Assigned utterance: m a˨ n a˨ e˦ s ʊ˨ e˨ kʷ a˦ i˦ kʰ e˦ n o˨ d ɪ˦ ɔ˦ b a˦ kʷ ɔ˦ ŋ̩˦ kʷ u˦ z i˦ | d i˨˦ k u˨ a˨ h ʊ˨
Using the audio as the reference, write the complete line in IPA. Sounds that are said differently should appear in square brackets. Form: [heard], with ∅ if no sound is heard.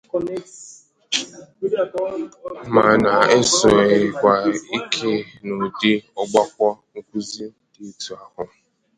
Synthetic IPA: m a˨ n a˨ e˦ s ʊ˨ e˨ kʷ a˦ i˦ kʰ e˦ n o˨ d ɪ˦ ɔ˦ [ɡ͡b] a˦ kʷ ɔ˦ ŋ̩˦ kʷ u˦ z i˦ | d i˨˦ [t] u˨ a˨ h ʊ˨

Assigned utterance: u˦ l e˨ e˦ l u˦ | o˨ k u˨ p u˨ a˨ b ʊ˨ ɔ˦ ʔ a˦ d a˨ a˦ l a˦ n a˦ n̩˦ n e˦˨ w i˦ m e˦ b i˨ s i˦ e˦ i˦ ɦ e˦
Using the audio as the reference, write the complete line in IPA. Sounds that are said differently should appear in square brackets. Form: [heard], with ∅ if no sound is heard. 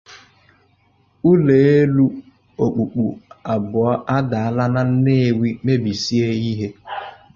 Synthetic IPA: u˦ l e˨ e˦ l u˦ | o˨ [k͡p] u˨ [k͡p] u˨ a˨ b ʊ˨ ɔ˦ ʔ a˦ d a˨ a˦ l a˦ n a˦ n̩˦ n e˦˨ w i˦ m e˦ b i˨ s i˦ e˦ i˦ ɦ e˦

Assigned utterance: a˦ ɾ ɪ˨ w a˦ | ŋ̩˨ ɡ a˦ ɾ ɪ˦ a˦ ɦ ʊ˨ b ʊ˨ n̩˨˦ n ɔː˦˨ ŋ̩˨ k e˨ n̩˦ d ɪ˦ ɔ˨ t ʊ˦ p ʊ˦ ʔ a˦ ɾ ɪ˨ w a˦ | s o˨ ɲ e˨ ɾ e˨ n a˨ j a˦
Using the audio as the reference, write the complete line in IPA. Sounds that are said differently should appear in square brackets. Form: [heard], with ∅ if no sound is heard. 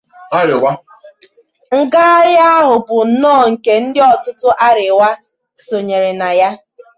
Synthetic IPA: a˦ ɾ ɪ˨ w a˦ | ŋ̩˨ ɡ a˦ ɾ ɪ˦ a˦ ɦ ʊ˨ b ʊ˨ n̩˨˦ n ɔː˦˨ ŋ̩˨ k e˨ n̩˦ d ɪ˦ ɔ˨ t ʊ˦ [t] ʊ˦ ʔ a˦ ɾ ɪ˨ w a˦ | s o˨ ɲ e˨ ɾ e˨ n a˨ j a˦

